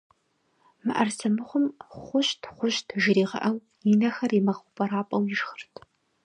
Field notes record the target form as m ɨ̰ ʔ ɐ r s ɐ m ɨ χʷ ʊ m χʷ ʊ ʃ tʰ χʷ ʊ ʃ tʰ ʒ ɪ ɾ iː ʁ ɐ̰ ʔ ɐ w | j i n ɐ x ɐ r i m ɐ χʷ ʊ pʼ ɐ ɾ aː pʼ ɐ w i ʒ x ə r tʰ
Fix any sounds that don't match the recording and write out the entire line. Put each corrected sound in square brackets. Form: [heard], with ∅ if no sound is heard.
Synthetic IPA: m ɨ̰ ʔ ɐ r s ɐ m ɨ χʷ ʊ m χʷ ʊ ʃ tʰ χʷ ʊ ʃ tʰ ʒ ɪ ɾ iː ʁ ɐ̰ ʔ ɐ w | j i n ɐ x ɐ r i m ɐ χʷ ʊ pʼ ɐ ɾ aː pʼ ɐ w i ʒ x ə r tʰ